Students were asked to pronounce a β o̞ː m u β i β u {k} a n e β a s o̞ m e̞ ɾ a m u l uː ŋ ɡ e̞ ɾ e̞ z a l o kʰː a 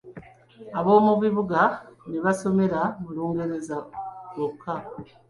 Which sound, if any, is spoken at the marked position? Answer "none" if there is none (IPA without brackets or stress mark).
ɡ